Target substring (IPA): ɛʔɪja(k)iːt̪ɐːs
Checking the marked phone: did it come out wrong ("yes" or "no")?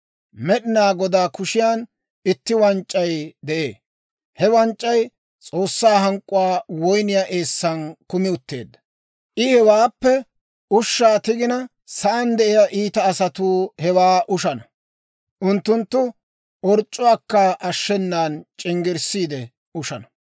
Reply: yes